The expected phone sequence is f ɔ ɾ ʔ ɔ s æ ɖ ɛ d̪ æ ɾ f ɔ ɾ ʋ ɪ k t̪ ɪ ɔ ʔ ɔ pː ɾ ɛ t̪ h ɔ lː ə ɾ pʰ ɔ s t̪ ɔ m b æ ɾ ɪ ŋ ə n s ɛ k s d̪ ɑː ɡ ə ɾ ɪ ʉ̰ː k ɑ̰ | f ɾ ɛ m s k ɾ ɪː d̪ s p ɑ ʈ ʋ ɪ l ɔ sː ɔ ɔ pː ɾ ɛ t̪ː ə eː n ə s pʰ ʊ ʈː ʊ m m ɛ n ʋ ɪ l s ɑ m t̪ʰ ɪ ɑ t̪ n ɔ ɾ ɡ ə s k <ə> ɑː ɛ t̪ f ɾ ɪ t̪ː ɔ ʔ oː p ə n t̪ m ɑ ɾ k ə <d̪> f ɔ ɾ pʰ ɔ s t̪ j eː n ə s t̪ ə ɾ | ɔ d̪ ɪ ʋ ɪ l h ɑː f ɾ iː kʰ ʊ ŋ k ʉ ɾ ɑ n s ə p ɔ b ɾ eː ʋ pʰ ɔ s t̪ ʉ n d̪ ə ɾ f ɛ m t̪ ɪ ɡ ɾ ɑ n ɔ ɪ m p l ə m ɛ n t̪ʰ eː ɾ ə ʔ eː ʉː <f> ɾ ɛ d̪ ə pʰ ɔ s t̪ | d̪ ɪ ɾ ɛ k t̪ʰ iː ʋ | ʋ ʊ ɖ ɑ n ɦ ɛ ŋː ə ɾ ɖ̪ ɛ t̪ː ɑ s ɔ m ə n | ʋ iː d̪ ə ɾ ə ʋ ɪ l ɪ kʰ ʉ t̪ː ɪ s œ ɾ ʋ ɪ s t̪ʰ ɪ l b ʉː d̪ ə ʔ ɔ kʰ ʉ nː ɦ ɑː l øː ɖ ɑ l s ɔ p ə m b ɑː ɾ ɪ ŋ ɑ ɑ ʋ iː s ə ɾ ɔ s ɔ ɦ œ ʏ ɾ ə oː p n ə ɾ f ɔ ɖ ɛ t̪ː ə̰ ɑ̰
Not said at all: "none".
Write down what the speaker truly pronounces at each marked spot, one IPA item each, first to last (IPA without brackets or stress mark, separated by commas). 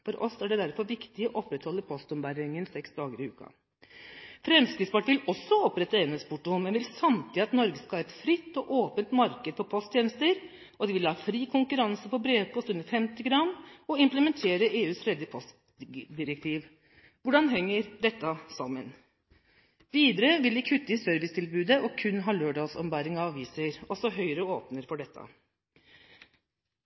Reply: ɑ, d̪, s